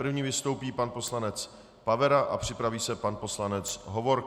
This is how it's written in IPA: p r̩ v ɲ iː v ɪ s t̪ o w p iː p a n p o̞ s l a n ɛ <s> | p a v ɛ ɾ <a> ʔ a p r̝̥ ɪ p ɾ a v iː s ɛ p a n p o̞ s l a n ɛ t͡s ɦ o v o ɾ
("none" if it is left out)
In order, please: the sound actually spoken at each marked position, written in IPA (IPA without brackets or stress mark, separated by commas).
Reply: t͡s, a